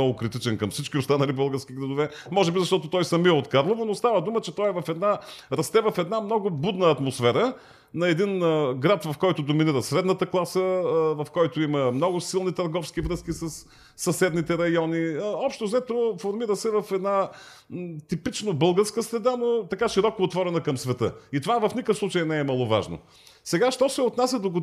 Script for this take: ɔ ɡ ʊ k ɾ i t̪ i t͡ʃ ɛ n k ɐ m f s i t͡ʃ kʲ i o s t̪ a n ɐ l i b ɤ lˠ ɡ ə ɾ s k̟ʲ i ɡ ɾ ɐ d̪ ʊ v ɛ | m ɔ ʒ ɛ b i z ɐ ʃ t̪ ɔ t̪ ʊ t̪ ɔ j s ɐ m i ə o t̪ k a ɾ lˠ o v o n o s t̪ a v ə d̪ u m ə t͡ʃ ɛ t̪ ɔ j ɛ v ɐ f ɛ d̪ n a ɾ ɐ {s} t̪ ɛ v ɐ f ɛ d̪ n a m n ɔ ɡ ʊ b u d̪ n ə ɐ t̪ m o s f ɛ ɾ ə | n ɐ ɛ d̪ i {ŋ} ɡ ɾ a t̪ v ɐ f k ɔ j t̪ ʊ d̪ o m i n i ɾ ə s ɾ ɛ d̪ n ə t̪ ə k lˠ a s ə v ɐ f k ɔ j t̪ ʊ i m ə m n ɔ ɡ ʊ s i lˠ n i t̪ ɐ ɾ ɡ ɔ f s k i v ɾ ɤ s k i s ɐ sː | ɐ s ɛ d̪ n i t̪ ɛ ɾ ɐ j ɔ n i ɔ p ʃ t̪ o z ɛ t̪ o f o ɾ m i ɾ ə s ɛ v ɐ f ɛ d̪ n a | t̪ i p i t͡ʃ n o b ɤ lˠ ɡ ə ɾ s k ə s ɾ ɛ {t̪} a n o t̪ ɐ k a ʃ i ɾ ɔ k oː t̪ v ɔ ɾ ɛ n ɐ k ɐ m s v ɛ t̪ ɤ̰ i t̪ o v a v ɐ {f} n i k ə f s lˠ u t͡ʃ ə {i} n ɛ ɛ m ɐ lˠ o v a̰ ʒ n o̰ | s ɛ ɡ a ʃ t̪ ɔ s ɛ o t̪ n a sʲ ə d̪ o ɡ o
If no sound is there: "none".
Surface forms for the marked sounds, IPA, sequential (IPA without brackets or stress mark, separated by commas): s, n, d̪, f, j